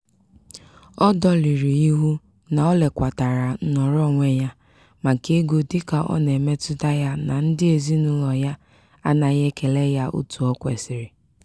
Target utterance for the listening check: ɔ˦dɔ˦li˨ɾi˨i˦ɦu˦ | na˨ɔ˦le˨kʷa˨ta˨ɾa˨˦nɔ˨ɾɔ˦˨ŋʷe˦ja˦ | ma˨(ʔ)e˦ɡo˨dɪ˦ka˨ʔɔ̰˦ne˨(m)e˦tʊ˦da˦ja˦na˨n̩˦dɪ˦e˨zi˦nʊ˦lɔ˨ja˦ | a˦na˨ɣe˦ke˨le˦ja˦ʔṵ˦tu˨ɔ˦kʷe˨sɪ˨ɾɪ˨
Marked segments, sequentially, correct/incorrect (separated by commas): incorrect, correct